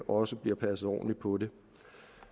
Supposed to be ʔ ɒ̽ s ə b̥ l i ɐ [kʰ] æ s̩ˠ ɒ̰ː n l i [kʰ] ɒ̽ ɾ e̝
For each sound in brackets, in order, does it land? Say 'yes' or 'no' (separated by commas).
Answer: no, no